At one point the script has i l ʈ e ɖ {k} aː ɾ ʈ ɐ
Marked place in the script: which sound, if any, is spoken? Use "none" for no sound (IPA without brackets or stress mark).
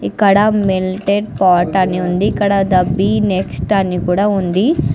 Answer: p